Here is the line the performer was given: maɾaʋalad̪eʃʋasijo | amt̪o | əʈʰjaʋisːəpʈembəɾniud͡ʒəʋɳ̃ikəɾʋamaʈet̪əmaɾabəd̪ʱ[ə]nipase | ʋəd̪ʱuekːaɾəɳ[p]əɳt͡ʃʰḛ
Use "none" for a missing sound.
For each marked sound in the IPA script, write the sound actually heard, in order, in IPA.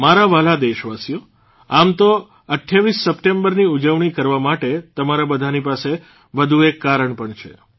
a, p

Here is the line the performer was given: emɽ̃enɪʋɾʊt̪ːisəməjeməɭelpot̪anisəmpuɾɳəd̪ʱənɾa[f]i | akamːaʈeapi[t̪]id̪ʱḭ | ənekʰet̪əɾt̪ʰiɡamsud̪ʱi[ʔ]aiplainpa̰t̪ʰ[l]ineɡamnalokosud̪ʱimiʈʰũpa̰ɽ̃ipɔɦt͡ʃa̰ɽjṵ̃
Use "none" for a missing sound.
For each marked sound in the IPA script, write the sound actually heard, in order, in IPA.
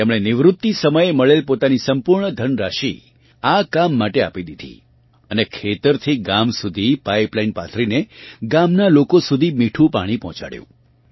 ʃ, d̪, p, ɾ

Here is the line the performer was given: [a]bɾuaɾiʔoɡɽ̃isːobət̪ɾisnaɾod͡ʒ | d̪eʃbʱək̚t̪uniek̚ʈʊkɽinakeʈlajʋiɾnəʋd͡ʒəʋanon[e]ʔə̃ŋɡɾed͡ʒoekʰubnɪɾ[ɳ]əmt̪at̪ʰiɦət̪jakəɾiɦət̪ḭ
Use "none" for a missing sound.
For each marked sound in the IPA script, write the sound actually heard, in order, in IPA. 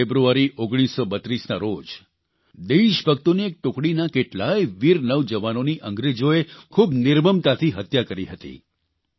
e, i, m

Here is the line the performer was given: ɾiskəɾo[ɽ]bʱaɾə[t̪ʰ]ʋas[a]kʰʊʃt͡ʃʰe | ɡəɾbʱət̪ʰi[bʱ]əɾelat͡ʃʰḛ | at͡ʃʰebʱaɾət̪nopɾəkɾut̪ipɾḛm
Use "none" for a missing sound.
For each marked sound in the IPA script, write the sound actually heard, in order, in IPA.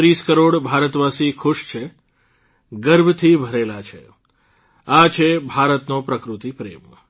ɽ, t̪, i, bʱ

